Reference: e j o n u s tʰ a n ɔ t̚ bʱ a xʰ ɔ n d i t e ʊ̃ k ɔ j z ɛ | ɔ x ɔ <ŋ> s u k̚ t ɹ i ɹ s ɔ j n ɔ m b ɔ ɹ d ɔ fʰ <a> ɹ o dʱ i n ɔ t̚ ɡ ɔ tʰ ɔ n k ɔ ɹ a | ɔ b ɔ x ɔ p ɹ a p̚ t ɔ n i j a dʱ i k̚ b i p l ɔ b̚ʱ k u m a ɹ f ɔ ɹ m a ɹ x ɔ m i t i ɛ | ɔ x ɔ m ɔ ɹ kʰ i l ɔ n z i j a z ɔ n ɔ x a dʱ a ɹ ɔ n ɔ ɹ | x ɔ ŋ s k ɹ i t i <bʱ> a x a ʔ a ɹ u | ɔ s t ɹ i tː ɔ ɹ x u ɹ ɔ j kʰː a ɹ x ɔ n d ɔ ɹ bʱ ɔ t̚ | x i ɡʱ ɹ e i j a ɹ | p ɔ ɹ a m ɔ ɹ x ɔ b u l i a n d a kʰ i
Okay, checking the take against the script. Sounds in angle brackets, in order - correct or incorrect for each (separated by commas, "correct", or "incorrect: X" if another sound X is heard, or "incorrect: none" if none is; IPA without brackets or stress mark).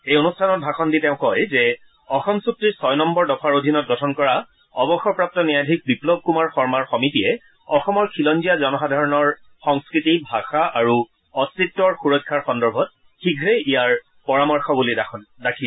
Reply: incorrect: m, correct, correct